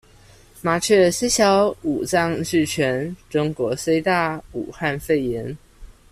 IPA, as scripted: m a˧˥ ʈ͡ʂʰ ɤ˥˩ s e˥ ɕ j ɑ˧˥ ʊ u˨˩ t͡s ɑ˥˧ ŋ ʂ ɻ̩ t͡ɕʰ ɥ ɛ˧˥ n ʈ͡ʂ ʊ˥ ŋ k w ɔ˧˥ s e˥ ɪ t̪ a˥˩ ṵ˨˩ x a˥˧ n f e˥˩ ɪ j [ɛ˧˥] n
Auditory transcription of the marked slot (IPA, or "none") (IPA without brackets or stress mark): ɛ˧˥